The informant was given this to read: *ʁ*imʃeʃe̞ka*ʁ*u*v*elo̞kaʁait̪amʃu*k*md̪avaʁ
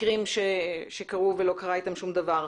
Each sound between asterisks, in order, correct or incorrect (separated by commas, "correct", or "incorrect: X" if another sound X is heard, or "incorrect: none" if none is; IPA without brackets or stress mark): correct, correct, correct, incorrect: none